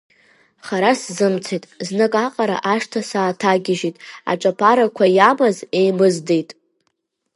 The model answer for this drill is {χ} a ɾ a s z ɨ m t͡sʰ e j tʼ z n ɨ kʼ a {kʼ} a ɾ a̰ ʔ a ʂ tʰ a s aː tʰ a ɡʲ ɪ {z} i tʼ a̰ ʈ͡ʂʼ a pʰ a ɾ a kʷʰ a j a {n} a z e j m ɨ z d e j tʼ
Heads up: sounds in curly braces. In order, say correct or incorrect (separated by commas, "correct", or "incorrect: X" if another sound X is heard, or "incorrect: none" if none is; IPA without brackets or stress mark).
correct, incorrect: qʼ, incorrect: ʒ, incorrect: m